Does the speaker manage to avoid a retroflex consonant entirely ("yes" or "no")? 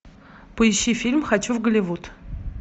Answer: yes